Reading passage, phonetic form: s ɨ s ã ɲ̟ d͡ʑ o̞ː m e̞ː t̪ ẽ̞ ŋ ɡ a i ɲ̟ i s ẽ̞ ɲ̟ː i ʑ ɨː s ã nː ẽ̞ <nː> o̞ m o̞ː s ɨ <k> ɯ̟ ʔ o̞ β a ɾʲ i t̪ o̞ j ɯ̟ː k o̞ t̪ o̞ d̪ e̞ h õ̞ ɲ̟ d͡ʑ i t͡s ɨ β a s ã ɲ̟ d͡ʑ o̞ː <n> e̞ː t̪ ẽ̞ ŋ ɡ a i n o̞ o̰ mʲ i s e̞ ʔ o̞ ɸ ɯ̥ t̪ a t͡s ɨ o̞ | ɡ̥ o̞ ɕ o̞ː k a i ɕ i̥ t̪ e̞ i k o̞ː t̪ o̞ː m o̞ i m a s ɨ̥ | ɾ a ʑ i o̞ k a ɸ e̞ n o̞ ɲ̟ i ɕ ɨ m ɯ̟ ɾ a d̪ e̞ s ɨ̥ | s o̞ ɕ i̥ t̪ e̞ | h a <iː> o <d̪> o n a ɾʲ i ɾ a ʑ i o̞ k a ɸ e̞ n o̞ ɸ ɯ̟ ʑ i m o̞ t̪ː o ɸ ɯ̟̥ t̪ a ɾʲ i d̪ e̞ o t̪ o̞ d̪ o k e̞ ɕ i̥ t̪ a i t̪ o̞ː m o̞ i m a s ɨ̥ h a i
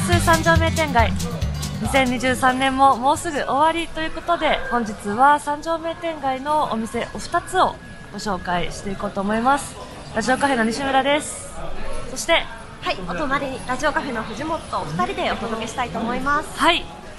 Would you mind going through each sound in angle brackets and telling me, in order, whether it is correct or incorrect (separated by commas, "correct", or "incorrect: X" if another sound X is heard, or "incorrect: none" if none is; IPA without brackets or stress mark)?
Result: incorrect: mː, incorrect: ɡ, incorrect: m, incorrect: i, incorrect: t̪